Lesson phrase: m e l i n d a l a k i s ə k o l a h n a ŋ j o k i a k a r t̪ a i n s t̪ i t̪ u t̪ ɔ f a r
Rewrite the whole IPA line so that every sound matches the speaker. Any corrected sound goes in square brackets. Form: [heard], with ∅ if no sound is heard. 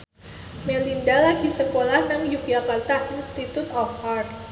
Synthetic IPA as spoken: m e l i n d a l a [ɡ] i s ə k o l a h n a ŋ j [u] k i a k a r t̪ a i n s t̪ i t̪ u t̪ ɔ f a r